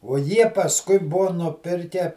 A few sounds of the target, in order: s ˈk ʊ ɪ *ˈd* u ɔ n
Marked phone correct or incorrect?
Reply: incorrect